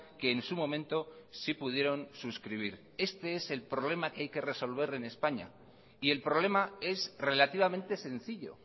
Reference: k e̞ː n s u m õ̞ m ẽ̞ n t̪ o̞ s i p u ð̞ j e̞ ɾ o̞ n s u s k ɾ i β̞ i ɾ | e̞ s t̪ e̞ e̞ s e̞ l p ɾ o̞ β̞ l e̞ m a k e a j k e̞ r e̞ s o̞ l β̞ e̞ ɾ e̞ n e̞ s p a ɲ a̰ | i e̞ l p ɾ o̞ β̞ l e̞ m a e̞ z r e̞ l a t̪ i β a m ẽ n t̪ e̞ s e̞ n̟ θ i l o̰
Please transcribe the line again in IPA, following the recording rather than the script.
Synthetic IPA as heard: k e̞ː n s u m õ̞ m ẽ̞ n t̪ o̞ s i p u ð̞ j e̞ ɾ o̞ n s u s k ɾ i β̞ i ɾ | e̞ s t̪ e̞ e̞ s e̞ l p ɾ o̞ β̞ l e̞ m a k e a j k e̞ r e̞ s o̞ l β̞ e̞ ɾ e̞ n e̞ s p a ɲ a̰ | i e̞ l p ɾ o̞ β̞ l e̞ m a e̞ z r e̞ l a t̪ i β a m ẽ n t̪ e̞ s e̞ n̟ θ i ʎ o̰